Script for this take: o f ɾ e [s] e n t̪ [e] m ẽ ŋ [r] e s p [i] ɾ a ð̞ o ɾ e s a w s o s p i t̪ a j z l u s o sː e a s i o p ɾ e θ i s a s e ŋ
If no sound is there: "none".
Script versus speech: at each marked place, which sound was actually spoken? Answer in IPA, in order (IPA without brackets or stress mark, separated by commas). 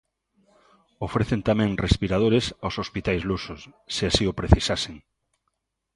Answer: θ, a, r, i